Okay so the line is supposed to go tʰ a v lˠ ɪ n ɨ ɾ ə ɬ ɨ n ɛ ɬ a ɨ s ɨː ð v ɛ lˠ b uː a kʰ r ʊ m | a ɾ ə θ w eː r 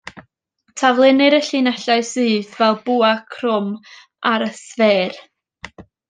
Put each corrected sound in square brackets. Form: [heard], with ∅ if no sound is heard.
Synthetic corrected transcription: tʰ a v lˠ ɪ n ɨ ɾ ə ɬ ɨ n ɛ ɬ a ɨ s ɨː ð v ɛ lˠ b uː a kʰ r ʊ m | a ɾ ə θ [v] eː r